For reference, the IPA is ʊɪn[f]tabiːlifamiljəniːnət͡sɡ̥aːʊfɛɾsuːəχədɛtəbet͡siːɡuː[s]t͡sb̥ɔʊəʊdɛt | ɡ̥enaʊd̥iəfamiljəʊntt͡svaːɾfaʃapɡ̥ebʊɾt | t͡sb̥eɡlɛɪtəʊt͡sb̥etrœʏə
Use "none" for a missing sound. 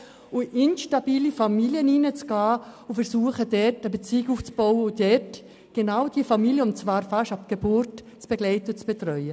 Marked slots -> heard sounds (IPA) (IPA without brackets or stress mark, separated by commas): ʃ, f